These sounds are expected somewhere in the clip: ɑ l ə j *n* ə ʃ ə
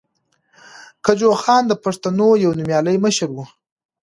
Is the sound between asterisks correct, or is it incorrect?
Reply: incorrect